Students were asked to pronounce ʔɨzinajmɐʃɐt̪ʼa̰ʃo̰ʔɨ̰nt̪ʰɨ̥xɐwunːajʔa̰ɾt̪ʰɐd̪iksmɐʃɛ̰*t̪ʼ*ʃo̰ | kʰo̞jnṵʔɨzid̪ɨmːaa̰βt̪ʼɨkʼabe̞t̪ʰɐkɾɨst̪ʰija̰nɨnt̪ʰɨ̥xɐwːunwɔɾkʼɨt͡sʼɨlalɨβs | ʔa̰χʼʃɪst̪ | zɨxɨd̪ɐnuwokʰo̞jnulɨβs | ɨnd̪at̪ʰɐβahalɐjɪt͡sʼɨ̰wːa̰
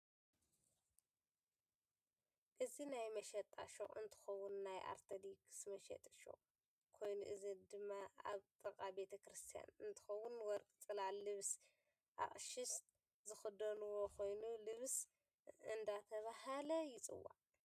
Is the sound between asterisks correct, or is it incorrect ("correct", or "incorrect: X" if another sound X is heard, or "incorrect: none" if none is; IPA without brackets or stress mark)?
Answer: correct